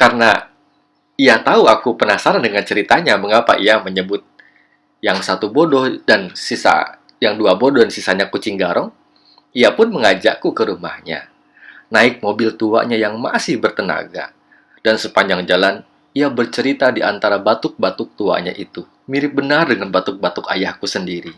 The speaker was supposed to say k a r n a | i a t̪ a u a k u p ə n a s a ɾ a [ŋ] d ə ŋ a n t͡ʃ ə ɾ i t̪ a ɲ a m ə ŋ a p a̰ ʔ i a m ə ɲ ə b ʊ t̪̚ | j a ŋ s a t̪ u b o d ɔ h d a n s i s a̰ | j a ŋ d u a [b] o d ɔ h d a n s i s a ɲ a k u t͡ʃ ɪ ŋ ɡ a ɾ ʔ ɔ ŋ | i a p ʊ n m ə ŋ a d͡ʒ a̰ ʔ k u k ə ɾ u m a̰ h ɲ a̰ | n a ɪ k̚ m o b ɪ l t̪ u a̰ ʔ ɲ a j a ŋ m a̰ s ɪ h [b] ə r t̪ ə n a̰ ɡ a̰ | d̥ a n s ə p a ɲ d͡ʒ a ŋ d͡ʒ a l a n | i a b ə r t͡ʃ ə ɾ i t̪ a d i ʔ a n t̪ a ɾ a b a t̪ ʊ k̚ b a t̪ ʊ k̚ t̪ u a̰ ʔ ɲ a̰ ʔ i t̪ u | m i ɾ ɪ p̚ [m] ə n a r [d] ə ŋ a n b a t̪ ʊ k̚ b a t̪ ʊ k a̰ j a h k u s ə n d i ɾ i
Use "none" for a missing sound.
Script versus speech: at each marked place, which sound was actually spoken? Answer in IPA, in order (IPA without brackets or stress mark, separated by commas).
n, b, b, b, d